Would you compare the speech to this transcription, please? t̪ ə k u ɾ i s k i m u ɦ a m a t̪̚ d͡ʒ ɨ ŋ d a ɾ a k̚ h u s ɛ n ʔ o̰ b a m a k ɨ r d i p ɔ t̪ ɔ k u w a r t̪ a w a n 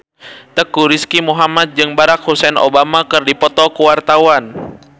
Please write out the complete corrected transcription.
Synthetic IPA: t̪ ə k u ɾ i s k i m u ɦ a m a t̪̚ d͡ʒ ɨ ŋ b a ɾ a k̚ h u s ɛ n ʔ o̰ b a m a k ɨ r d i p ɔ t̪ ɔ k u w a r t̪ a w a n